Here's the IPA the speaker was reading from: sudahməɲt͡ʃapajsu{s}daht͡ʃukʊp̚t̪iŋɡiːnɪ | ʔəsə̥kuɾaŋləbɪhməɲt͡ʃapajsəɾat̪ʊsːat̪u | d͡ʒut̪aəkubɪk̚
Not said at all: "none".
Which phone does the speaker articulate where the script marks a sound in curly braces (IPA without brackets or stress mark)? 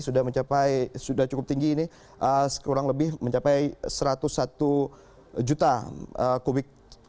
none